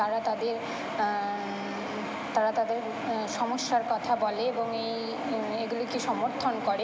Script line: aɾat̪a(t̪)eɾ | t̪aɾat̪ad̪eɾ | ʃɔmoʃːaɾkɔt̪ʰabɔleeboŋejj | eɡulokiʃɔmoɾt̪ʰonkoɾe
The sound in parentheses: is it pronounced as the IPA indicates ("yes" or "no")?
no